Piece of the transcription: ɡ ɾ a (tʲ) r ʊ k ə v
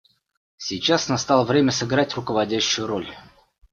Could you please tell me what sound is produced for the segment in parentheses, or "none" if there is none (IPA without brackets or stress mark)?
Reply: tʲ